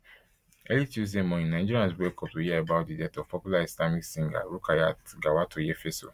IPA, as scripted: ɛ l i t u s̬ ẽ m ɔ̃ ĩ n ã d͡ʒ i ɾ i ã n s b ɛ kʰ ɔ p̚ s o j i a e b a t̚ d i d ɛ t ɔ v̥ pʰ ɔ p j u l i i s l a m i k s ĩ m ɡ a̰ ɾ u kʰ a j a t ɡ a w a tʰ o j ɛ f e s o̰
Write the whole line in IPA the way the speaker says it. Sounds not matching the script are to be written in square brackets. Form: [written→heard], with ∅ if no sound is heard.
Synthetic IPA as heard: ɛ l i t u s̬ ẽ m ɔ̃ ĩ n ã d͡ʒ i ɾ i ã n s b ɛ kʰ ɔ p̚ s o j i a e b a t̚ d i d ɛ t ɔ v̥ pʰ ɔ p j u l [i→a] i s l a m i k s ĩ [m→ŋ] ɡ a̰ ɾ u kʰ a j a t ɡ a w a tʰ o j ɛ f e s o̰